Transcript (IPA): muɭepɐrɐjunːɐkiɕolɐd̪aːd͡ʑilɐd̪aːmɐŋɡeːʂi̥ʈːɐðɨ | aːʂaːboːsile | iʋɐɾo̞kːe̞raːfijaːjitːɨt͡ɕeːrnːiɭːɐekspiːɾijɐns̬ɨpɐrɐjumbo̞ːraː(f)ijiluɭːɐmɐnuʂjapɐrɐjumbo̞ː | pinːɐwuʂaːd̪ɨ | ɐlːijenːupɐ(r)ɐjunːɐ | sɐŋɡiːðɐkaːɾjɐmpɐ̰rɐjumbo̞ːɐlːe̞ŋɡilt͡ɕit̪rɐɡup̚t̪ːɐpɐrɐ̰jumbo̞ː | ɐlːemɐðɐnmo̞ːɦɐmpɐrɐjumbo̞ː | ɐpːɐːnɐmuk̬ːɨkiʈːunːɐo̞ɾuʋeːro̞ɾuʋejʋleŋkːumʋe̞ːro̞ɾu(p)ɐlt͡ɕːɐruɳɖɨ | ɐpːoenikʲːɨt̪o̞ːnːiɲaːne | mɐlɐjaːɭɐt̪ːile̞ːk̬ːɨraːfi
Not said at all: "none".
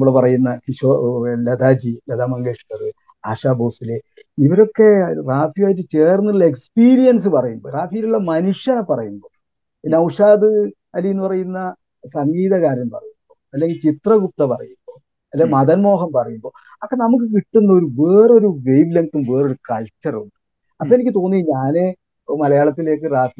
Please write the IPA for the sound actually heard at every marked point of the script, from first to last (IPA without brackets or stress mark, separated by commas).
f, r, k